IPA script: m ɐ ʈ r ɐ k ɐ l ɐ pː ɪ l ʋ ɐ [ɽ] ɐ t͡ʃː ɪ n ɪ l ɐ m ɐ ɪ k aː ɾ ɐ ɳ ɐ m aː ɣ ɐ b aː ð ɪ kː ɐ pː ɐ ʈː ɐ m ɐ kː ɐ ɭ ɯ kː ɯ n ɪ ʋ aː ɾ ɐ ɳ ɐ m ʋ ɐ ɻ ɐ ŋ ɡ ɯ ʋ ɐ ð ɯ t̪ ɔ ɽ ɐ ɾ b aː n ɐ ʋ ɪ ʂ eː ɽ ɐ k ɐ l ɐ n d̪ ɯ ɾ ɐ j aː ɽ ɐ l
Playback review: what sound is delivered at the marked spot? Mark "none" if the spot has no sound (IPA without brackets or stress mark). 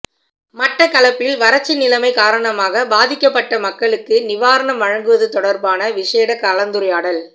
ɾ